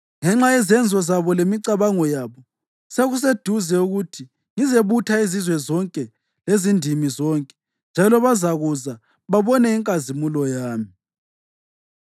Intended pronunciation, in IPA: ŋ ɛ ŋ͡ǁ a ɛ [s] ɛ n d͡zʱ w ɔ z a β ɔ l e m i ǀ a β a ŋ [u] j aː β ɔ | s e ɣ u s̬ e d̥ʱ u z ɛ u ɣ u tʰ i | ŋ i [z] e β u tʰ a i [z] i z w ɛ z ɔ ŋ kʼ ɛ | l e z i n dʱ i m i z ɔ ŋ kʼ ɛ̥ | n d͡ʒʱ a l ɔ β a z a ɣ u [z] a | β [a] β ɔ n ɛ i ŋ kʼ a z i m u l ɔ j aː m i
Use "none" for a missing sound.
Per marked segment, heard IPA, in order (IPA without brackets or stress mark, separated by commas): z, ɔ, z, z, z, a